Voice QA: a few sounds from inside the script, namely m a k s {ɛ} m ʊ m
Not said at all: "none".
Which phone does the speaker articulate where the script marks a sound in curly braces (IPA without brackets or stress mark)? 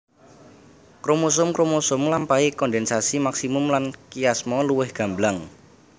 i